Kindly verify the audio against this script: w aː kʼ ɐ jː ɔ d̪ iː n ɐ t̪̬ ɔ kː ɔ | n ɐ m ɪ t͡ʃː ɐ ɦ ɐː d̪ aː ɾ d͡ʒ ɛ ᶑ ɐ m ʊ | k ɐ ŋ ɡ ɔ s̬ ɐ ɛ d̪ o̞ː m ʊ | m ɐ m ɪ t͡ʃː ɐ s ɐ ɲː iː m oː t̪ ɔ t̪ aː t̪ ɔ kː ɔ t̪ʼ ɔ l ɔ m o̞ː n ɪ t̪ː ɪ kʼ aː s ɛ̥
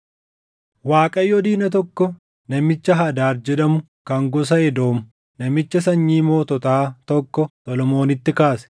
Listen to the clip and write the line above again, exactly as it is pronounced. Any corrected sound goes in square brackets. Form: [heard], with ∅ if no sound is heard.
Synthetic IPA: w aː kʼ ɐ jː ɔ d̪ iː n ɐ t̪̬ ɔ kː ɔ | n ɐ m ɪ t͡ʃː ɐ ɦ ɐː d̪ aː ɾ d͡ʒ ɛ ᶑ ɐ m ʊ | k ɐ ŋ ɡ ɔ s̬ ɐ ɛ d̪ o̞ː m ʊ | [n] ɐ m ɪ t͡ʃː ɐ s ɐ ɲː iː m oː t̪ ɔ t̪ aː t̪ ɔ kː ɔ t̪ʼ ɔ l ɔ m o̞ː n ɪ t̪ː ɪ [k] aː s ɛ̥